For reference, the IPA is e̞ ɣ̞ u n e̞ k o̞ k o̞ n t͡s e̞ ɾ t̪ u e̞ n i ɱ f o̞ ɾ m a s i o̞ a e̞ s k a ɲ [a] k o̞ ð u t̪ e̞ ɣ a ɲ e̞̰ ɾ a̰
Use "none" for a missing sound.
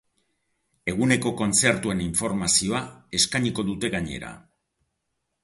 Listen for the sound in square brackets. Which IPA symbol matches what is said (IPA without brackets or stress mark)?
i